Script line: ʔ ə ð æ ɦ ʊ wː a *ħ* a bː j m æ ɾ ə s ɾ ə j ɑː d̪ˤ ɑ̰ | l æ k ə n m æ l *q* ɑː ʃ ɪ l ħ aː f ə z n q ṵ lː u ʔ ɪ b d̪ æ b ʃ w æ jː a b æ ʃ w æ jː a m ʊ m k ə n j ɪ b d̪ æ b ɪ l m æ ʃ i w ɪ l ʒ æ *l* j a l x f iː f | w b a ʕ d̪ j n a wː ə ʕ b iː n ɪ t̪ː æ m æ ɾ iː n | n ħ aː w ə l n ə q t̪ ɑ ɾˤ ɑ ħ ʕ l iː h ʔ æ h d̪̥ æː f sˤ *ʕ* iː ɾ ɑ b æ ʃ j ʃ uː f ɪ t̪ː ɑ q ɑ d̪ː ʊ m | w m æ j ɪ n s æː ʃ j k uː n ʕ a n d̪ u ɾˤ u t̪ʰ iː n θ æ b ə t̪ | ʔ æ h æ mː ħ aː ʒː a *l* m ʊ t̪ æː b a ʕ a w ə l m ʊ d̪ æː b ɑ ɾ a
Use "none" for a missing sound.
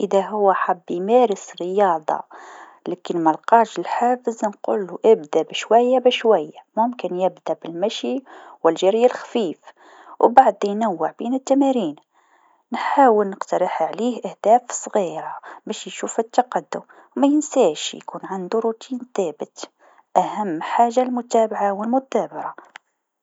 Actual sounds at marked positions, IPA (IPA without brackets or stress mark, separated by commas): ħ, q, ɾ, ɣ, l